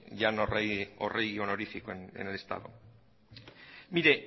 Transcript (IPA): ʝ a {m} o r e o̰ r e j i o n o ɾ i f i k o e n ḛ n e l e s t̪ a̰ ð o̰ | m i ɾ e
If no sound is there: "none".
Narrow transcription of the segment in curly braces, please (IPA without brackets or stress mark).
n